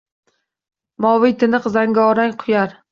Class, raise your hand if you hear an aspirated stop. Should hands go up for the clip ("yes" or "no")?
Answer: yes